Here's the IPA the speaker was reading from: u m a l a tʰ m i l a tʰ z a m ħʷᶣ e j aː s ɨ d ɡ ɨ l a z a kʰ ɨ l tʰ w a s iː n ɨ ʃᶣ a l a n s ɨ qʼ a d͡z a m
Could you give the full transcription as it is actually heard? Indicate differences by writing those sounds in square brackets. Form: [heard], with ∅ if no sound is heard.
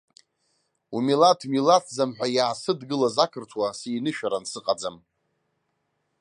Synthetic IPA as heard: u m [i] l a tʰ m i l a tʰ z a m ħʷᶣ [a] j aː s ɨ d ɡ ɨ l a z a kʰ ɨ [r] tʰ w a s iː n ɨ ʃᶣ a [ɾ] a n s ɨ qʼ a d͡z a m